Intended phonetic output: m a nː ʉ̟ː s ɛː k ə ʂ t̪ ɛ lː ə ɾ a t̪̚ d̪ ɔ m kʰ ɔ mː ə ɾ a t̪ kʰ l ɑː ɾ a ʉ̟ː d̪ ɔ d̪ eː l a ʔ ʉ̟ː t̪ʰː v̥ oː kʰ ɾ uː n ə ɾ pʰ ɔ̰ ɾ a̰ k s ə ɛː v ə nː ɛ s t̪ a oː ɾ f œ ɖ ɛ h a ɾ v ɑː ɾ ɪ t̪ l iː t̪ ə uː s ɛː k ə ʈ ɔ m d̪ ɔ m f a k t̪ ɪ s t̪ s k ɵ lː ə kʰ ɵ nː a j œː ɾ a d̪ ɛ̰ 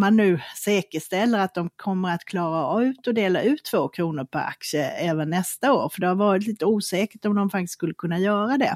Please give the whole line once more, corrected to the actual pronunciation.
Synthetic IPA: m a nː ʉ̟ː s ɛː k ə ʂ t̪ ɛ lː ə ɾ a t̪̚ d̪ ɔ m kʰ ɔ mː ə ɾ a t̪ kʰ l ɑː ɾ a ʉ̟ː t̪ ɔ d̪ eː l a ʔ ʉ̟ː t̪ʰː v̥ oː kʰ ɾ uː n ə ɾ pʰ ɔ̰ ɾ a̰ k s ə ɛː v ə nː ɛ s t̪ a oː ɾ f œ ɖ ɛ h a ɾ v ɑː ɾ ɪ t̪ l iː t̪ ə uː s ɛː k ə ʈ ɔ m d̪ ɔ m f a k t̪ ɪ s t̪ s k ɵ lː ə kʰ ɵ nː a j œː ɾ a d̪ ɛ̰